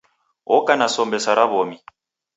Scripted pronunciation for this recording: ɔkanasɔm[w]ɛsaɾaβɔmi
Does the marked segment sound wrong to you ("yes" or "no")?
yes